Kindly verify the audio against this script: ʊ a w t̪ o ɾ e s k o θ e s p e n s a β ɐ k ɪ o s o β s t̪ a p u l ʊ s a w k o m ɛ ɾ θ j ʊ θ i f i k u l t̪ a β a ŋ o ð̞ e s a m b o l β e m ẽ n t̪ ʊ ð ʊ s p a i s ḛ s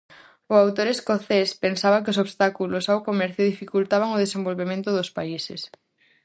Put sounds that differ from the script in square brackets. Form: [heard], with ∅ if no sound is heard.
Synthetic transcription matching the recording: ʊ a w t̪ o ɾ e s k o θ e s p e n s a β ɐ k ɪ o s o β s t̪ a [k] u l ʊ s a w k o m ɛ ɾ θ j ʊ [ð] i f i k u l t̪ a β a ŋ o ð̞ e s [e] m b o l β e m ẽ n t̪ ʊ ð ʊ s p a i s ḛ s